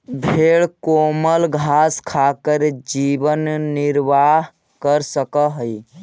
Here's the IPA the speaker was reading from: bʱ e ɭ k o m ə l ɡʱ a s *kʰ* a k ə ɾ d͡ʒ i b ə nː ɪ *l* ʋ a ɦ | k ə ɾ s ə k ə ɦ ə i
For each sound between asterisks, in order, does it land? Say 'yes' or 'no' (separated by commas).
yes, no